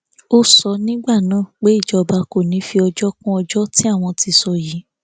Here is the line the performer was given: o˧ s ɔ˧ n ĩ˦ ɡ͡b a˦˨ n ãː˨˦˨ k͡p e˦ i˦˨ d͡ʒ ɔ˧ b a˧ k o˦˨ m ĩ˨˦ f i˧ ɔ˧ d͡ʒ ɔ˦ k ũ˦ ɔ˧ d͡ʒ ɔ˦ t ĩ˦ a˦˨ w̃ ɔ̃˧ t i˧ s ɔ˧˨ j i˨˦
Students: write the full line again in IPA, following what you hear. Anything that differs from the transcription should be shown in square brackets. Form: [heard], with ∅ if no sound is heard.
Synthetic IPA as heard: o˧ s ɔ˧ n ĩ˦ ɡ͡b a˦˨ n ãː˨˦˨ k͡p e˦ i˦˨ d͡ʒ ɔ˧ b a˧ k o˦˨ [n] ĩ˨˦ f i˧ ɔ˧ d͡ʒ ɔ˦ k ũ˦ ɔ˧ d͡ʒ ɔ˦ t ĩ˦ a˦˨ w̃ ɔ̃˧ t i˧ s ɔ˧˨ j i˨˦